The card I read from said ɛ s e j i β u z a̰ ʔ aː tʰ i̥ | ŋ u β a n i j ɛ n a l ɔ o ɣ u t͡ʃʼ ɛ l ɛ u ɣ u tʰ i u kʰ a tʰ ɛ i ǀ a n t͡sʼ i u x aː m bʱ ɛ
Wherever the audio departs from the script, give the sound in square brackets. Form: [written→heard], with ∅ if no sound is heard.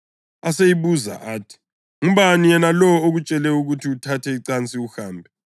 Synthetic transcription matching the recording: [ɛ→a] s e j i β u z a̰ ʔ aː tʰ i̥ | ŋ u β a n i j ɛ n a l ɔ o ɣ u t͡ʃʼ ɛ l ɛ u ɣ u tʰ i u [kʰ→tʰ] a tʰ ɛ i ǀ a n t͡sʼ i u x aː m bʱ ɛ